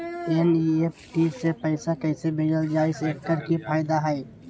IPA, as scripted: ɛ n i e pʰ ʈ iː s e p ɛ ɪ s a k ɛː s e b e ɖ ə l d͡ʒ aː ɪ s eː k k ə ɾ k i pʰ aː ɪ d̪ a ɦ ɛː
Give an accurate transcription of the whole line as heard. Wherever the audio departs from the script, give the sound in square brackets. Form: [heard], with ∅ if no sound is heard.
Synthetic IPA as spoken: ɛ n i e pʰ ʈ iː s e p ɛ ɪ s a k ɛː s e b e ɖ ə l d͡ʒ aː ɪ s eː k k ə ɾ k i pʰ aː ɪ d̪ a ɦ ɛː